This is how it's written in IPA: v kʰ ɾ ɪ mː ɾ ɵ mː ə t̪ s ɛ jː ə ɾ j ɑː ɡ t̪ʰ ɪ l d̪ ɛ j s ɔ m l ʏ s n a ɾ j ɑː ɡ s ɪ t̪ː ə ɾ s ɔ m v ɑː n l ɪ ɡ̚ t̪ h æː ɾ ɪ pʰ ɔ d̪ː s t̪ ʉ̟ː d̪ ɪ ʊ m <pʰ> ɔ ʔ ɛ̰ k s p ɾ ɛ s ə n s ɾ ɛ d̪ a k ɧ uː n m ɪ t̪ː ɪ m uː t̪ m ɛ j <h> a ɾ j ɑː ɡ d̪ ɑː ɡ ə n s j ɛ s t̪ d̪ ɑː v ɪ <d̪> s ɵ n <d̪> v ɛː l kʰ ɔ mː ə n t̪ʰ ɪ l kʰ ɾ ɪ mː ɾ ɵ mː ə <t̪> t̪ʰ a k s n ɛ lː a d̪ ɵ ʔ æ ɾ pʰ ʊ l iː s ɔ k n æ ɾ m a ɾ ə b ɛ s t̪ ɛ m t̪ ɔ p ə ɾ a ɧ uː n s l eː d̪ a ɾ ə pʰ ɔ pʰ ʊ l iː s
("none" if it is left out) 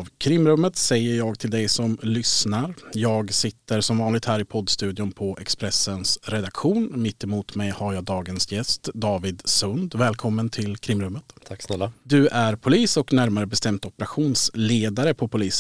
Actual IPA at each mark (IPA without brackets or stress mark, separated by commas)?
pʰ, h, d̪, d̪, t̪